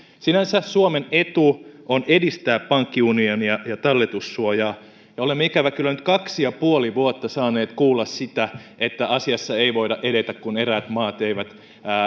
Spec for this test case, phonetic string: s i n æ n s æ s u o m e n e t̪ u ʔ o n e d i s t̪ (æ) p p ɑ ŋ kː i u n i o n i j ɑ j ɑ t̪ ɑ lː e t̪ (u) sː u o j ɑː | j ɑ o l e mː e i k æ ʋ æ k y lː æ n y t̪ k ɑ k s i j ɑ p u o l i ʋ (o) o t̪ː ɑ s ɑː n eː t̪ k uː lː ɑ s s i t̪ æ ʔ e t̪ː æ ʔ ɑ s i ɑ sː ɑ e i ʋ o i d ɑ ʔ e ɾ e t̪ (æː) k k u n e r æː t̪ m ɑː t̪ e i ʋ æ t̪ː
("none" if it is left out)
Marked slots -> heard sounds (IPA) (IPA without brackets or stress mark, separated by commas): æː, u, u, æ